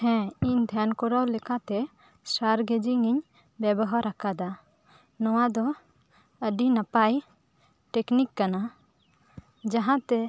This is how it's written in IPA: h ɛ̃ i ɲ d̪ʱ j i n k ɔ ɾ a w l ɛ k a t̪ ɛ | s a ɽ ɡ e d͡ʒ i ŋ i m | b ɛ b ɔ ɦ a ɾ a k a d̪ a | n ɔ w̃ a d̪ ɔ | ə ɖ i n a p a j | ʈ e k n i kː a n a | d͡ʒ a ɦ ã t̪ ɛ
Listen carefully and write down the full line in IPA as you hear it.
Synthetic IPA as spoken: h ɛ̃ i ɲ d̪ʱ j a n k ɔ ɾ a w l ɛ k a t̪ ɛ | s a ɾ ɡ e d͡ʒ i ŋ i ɲ | b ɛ b ɔ ɦ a ɾ a k a d̪ a | n ɔ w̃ a d̪ ɔ | ə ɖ i n a p a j | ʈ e k n i kː a n a | d͡ʒ a ɦ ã t̪ ɛ